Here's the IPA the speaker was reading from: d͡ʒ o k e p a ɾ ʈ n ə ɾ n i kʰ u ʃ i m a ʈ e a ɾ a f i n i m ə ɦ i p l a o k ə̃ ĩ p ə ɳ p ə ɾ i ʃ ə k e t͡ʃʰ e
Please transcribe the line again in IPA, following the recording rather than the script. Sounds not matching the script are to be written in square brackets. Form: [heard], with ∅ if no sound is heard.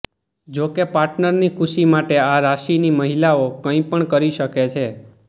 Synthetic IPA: d͡ʒ o k e p a ɾ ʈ n ə ɾ n i kʰ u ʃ i m a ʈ e a ɾ a [ʃ] i n i m ə ɦ i [∅] l a o k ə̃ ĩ p ə ɳ [k] ə ɾ i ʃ ə k e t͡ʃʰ e